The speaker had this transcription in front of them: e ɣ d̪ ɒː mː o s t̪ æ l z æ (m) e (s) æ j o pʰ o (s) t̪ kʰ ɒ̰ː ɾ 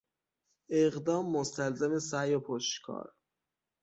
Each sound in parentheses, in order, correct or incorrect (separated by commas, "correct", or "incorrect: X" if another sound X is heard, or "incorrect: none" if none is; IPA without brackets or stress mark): correct, correct, incorrect: ʃ